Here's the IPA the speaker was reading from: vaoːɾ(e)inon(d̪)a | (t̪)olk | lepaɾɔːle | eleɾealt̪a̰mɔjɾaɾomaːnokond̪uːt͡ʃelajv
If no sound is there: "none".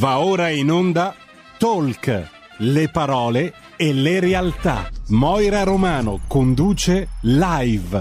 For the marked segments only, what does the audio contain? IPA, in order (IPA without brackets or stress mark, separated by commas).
a, d̪, t̪